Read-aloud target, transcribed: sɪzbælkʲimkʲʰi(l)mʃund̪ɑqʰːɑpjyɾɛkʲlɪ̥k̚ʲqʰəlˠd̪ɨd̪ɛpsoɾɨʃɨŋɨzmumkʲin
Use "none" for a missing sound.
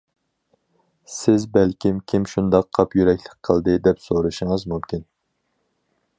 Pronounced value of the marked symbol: none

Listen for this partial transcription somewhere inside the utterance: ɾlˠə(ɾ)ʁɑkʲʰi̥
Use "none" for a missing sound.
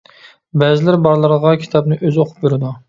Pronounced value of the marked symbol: ɾ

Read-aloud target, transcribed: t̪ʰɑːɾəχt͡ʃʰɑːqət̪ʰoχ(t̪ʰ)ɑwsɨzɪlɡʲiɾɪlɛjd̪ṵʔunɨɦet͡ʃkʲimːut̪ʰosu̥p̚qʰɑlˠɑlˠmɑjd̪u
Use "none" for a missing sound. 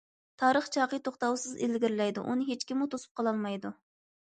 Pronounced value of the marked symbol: t̪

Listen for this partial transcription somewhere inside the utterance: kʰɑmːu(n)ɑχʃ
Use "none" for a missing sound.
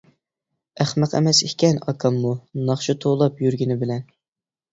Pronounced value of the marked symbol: n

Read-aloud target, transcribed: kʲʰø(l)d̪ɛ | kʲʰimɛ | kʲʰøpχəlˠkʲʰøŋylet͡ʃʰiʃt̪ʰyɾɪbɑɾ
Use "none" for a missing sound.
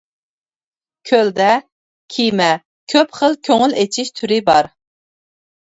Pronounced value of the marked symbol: l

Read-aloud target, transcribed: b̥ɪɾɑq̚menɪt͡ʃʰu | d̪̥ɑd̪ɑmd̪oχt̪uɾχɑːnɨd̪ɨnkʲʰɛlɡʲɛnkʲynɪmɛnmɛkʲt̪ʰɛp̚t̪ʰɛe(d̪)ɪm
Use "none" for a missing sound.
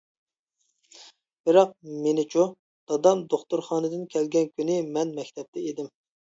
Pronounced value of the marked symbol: d̪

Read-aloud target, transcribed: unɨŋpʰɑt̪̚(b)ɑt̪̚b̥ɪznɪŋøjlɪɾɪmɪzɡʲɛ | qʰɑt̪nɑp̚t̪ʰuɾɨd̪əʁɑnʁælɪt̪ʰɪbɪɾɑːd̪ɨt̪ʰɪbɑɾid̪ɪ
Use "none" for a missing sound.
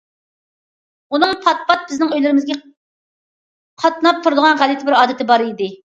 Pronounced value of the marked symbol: p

